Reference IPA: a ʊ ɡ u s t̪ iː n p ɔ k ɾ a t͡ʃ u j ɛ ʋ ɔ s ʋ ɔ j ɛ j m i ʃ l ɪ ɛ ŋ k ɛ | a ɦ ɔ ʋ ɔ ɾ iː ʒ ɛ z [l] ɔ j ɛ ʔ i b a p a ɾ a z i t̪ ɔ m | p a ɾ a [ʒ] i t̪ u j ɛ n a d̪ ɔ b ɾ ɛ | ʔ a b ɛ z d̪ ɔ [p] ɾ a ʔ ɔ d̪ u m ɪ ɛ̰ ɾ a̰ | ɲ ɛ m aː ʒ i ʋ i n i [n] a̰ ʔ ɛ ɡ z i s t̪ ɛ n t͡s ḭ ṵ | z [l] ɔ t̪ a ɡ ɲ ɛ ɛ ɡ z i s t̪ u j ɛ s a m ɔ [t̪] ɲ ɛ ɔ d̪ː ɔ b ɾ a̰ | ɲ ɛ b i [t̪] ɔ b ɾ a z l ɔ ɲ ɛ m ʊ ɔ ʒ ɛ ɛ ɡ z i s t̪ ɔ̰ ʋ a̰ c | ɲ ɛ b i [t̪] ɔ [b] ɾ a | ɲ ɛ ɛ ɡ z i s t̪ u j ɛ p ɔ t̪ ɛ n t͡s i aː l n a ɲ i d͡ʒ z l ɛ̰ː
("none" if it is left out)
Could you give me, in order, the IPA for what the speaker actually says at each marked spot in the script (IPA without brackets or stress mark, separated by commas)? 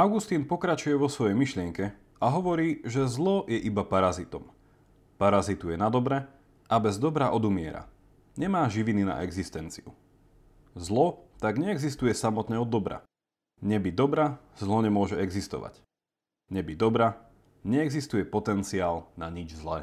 l, z, b, n, l, t̪, d̪, d̪, b